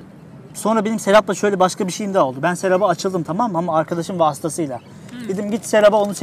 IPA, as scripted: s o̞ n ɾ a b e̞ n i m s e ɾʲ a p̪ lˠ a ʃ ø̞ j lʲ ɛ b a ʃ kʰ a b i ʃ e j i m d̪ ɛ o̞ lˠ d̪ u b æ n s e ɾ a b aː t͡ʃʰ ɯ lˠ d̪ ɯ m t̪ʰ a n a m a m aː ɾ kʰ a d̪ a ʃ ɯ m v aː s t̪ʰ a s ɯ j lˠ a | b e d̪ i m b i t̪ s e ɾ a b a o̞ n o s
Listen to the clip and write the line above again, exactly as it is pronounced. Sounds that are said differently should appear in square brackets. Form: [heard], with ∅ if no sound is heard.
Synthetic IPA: s o̞ n ɾ a b e̞ n i m s e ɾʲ a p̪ lˠ a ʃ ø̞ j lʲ ɛ b a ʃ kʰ a b i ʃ e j i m d̪ ɛ o̞ lˠ d̪ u b æ n s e ɾ a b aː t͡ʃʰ ɯ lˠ d̪ ɯ m t̪ʰ a [m] a m a m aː ɾ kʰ a d̪ a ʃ ɯ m v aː s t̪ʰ a s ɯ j lˠ a | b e d̪ i m [ɟ] i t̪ s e ɾ a b a o̞ n [u] s